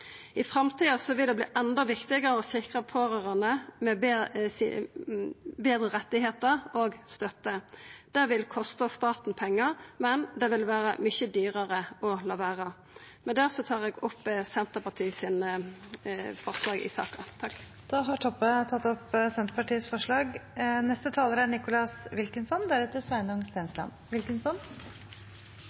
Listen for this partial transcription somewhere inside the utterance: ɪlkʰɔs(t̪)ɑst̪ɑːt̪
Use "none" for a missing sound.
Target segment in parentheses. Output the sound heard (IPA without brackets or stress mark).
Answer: t̪